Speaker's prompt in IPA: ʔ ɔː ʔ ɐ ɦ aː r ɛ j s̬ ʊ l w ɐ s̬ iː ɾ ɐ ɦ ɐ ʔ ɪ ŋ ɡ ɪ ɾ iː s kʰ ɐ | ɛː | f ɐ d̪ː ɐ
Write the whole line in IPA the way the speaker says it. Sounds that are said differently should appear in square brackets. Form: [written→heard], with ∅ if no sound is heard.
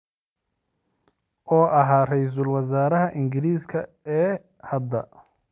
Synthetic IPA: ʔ ɔː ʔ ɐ ɦ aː r ɛ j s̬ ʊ l w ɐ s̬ [iː→aː] ɾ ɐ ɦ ɐ ʔ ɪ ŋ ɡ ɪ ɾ iː s kʰ ɐ | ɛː | [f→h] ɐ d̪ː ɐ